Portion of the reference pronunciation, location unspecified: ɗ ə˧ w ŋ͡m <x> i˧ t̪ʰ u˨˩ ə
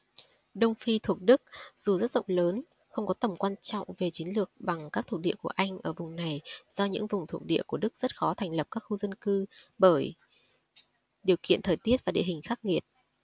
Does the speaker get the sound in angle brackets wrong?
yes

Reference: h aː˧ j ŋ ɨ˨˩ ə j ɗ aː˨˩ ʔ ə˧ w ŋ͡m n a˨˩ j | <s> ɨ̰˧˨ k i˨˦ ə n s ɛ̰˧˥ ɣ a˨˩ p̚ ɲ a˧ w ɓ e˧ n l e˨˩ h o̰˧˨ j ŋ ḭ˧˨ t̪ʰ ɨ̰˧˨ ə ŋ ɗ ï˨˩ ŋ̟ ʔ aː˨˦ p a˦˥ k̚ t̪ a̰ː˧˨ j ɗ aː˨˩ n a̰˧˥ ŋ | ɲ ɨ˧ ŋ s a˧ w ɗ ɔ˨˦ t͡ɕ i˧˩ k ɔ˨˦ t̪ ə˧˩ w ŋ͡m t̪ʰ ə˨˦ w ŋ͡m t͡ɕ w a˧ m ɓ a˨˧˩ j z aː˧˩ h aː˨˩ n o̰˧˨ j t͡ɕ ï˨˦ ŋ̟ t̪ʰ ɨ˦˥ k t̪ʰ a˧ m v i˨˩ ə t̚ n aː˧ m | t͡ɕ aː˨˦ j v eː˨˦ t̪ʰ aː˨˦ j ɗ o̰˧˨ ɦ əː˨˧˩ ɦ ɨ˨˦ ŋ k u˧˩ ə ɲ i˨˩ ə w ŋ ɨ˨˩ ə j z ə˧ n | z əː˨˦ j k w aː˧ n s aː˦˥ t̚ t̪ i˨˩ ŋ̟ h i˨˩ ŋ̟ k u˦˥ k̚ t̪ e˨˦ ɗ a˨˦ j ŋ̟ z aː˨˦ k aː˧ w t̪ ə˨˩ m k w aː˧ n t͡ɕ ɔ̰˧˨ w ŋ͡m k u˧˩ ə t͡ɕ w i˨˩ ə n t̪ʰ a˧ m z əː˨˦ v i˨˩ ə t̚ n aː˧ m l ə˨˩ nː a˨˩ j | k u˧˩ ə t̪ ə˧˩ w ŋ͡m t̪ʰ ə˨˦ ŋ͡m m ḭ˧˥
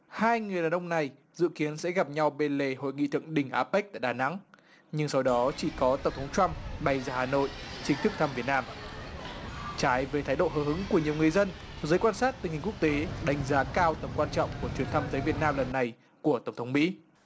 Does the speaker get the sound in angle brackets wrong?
yes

